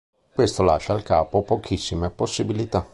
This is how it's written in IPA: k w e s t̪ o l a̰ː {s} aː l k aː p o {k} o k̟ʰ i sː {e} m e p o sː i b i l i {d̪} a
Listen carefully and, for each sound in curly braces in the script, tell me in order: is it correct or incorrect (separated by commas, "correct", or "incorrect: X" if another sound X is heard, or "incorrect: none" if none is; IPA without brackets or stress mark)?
incorrect: ʃ, incorrect: p, incorrect: i, incorrect: t̪